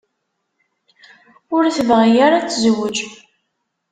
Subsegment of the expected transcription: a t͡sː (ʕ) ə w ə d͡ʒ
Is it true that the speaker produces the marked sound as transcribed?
no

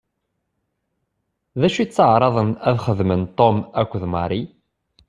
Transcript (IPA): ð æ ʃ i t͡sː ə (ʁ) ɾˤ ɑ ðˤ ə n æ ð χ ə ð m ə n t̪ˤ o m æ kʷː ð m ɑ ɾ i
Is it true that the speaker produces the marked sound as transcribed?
no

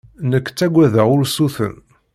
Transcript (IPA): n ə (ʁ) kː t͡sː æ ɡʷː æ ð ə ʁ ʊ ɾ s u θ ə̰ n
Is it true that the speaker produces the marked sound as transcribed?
no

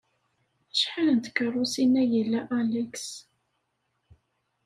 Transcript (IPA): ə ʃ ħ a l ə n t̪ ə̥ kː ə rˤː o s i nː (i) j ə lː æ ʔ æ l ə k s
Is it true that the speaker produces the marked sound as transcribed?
no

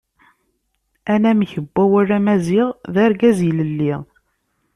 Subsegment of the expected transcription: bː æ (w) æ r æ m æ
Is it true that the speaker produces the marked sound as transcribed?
yes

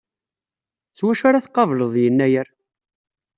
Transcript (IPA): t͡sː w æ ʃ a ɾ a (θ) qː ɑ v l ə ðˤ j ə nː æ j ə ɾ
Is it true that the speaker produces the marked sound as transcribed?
yes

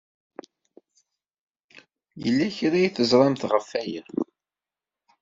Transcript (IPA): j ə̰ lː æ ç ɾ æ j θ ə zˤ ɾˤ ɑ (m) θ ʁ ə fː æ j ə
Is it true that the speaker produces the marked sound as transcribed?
yes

